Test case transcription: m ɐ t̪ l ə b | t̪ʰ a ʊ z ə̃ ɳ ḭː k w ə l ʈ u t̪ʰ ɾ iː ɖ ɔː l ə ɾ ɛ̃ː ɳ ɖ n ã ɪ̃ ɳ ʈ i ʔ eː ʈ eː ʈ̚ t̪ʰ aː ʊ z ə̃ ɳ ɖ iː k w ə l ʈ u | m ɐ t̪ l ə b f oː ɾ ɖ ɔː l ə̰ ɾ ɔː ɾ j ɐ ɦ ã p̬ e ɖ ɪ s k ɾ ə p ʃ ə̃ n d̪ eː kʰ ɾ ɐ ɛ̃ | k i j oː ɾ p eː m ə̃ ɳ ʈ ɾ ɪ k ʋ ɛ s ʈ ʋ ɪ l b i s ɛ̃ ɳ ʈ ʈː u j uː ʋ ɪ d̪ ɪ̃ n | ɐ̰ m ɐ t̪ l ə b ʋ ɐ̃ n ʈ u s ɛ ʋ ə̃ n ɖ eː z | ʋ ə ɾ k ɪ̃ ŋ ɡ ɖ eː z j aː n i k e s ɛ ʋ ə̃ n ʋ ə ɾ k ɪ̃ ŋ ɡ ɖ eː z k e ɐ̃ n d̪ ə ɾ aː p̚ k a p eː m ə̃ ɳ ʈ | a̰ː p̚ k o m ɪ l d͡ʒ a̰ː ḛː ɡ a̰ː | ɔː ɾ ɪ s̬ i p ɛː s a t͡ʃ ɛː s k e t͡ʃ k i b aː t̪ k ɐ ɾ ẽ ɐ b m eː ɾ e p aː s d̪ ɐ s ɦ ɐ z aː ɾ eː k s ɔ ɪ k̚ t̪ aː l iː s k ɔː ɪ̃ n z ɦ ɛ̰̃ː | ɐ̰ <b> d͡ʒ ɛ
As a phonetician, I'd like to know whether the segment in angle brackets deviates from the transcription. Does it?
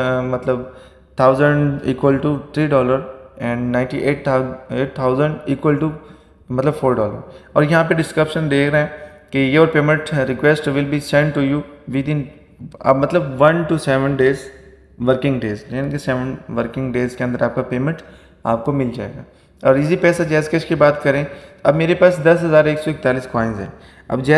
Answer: no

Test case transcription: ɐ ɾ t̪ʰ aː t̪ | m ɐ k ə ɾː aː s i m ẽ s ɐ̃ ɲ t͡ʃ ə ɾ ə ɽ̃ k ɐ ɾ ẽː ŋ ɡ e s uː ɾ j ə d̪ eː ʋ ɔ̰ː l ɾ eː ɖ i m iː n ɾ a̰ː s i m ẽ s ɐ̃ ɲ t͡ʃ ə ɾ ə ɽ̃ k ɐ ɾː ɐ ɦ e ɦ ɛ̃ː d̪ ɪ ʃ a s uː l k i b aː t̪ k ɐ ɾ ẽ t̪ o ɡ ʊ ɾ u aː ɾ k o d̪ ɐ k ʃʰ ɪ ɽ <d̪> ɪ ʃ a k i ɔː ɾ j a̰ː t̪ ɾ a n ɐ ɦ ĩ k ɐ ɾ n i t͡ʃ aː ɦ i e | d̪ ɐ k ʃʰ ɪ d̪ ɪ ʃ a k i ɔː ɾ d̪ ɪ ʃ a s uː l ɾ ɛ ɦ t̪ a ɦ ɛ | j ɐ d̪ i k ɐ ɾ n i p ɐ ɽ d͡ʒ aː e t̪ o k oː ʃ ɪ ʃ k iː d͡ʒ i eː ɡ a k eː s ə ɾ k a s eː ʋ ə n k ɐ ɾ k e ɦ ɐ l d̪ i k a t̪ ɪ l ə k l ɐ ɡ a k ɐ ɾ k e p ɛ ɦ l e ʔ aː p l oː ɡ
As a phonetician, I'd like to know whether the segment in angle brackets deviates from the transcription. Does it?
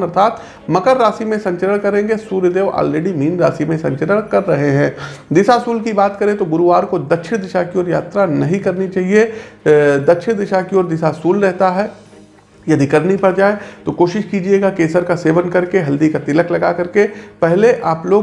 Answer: no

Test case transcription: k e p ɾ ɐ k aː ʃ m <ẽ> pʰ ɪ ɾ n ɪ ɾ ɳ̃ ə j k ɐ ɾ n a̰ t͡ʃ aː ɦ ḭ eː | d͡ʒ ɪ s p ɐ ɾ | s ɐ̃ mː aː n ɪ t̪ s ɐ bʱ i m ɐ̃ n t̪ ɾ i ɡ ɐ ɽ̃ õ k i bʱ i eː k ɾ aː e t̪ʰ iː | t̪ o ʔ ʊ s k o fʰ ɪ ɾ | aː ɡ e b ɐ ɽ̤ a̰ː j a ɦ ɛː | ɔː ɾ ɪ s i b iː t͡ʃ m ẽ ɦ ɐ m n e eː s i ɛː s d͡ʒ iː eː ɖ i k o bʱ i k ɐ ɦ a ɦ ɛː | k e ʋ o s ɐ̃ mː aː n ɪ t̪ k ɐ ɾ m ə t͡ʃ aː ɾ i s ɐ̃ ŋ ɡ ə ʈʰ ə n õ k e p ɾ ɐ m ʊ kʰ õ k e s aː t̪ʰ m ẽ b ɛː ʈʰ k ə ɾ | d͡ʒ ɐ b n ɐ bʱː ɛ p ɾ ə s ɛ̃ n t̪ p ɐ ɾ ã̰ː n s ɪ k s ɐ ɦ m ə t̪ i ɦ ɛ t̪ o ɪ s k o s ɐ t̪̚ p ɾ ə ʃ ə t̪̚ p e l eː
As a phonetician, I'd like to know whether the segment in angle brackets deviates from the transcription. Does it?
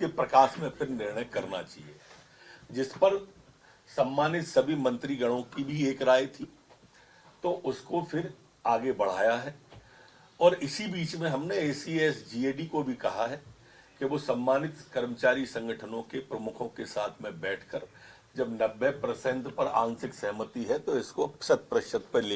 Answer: no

